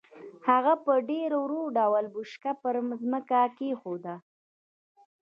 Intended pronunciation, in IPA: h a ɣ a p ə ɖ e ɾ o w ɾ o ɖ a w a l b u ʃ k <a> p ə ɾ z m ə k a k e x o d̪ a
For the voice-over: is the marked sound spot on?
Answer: yes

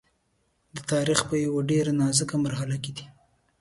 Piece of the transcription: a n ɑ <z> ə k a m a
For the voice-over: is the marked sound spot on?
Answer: yes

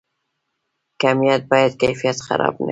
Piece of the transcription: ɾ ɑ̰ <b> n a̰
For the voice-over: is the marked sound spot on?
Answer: yes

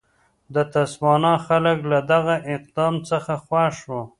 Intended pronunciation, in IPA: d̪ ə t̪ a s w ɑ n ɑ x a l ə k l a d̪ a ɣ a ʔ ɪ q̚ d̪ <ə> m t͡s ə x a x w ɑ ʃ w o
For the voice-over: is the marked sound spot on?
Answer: no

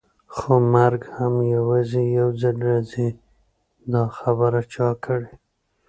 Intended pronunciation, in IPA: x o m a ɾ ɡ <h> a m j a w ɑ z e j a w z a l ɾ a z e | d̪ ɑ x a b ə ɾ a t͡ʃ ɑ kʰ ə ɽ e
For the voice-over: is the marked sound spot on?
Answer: yes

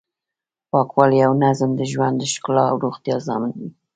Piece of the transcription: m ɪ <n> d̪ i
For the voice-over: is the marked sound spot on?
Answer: yes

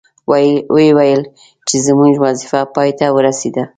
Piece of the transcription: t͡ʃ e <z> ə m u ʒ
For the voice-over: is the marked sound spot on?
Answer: yes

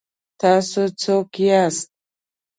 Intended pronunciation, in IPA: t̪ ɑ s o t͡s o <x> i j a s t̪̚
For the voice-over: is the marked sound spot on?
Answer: no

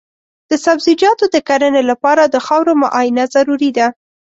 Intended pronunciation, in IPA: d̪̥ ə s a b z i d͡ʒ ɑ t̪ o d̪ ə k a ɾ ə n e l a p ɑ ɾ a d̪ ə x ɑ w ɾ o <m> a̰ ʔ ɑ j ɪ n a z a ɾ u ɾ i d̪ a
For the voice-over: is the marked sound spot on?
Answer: yes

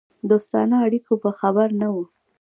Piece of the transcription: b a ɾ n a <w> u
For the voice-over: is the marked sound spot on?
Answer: yes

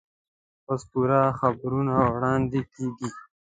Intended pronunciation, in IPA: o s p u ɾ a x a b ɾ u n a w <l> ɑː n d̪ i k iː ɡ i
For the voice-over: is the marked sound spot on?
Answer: no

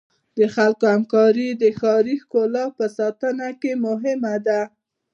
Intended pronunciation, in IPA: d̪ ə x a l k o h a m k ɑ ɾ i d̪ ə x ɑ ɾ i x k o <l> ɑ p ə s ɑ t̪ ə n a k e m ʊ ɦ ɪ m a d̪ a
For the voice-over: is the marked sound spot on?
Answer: yes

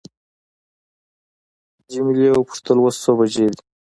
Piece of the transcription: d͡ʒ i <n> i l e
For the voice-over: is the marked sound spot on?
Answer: no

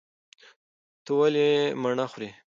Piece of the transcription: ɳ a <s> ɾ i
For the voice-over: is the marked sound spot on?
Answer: no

